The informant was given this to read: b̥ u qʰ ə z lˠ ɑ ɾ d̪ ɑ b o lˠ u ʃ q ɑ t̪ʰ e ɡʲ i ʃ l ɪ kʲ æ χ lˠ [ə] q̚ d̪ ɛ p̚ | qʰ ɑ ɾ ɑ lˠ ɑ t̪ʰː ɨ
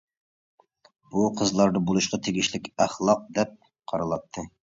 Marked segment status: incorrect: ɑ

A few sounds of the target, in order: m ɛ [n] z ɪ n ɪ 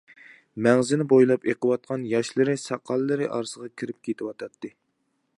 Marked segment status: incorrect: ŋ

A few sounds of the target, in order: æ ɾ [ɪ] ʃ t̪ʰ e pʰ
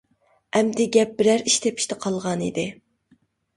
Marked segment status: incorrect: i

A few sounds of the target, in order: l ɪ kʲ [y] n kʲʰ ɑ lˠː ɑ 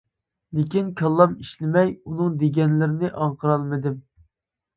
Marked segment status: incorrect: i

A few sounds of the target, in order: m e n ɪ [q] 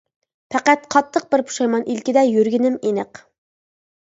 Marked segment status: correct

